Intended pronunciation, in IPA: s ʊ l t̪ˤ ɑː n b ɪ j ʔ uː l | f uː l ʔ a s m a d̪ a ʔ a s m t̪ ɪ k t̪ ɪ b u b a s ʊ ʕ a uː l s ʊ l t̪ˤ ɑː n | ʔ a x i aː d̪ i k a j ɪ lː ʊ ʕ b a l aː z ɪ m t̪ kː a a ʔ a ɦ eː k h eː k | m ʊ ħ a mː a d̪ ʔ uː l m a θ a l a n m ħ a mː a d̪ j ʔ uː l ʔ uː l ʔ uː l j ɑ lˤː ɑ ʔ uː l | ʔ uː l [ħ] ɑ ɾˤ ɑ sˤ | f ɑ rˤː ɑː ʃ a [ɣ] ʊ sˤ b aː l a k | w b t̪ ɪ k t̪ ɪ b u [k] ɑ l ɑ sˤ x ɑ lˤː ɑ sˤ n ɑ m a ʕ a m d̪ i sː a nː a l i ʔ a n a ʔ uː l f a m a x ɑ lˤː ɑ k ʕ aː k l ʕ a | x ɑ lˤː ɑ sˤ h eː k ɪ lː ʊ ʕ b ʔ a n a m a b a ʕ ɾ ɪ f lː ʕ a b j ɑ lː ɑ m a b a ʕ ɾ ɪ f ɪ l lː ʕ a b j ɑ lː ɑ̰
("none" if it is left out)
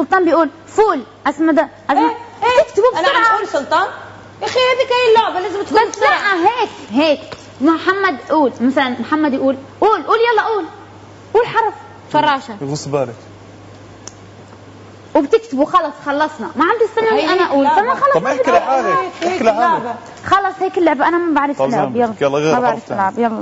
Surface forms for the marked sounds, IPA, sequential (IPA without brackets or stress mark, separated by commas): ħ, ɣ, x